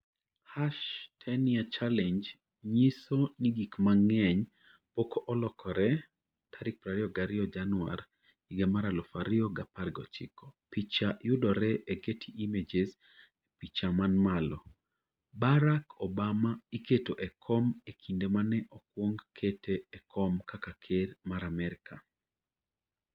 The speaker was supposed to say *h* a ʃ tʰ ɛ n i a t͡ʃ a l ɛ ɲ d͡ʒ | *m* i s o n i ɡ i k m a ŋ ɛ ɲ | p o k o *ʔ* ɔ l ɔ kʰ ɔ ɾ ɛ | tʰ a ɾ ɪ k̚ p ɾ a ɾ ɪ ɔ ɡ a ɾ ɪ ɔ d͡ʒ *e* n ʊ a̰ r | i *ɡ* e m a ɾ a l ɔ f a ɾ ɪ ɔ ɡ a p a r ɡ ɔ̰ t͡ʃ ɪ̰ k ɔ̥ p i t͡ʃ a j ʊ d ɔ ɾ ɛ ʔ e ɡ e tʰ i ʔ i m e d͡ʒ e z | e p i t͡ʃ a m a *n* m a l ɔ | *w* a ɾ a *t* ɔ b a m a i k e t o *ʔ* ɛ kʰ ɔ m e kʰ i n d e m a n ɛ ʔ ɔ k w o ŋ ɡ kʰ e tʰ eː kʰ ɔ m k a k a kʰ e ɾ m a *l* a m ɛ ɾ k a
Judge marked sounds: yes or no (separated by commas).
yes, no, yes, no, yes, yes, no, no, yes, no